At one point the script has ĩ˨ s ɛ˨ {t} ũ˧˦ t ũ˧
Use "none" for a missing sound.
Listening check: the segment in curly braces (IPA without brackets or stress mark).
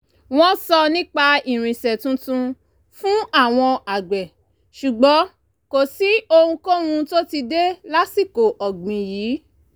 t